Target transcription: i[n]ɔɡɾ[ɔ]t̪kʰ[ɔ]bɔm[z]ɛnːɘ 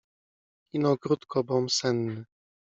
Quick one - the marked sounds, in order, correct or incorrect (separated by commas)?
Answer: correct, incorrect, correct, incorrect